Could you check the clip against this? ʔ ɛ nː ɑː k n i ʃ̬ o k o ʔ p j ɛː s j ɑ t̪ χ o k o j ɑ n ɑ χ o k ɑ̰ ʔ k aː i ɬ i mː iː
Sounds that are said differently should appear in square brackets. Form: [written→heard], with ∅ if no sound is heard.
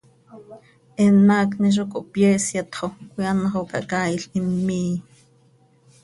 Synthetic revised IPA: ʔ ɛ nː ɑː k n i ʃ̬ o k o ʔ p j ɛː s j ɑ t̪ χ o k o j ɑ n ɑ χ o k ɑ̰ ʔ k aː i ɬ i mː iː